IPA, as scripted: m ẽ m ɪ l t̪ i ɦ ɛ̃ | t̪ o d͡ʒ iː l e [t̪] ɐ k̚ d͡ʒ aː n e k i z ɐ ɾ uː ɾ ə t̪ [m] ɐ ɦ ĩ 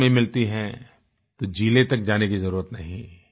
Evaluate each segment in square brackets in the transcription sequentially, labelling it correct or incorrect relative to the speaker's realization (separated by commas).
correct, incorrect